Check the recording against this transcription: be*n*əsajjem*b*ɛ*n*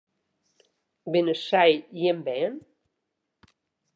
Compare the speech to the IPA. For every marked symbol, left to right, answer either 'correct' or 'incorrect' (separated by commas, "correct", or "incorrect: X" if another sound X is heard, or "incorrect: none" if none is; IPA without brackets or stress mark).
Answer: correct, correct, correct